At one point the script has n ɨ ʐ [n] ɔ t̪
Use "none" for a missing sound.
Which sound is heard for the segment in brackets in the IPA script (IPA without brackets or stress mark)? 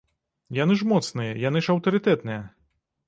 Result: m